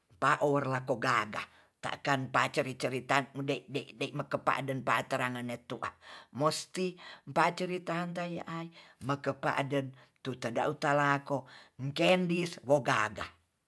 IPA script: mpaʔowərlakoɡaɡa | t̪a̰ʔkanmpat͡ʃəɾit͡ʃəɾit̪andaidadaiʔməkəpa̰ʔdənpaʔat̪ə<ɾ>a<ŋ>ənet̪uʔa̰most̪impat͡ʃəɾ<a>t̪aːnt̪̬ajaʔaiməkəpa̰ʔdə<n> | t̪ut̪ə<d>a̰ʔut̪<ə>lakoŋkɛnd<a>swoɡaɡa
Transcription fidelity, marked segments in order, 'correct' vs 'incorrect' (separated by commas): correct, correct, incorrect, correct, correct, incorrect, incorrect